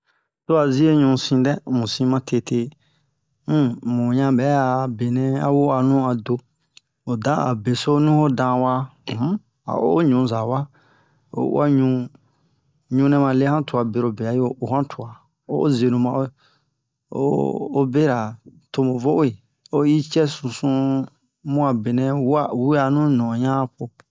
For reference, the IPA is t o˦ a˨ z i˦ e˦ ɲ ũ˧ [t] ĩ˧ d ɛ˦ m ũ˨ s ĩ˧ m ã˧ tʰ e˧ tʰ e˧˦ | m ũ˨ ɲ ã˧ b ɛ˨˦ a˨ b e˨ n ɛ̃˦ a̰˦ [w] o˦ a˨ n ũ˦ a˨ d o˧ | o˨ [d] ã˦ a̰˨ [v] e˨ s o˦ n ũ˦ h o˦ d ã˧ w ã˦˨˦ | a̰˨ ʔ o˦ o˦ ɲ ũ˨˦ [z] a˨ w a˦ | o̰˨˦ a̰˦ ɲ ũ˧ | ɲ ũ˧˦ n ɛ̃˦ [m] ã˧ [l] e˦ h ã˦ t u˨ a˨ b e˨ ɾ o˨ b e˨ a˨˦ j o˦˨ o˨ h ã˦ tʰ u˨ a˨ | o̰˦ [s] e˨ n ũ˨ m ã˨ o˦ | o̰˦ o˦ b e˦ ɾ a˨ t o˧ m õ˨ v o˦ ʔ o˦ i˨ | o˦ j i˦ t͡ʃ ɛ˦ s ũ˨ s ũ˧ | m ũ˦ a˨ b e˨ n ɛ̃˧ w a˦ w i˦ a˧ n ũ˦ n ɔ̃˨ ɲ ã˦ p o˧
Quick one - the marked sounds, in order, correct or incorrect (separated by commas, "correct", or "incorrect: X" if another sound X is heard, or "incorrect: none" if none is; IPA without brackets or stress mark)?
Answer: incorrect: s, correct, correct, incorrect: b, correct, correct, correct, incorrect: z